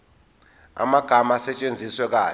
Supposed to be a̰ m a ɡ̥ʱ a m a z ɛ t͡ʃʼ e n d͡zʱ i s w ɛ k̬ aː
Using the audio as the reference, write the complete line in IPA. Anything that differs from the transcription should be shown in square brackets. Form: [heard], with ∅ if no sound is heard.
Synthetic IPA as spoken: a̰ m a ɡ̥ʱ a m a [s] ɛ t͡ʃʼ e n d͡zʱ i s w ɛ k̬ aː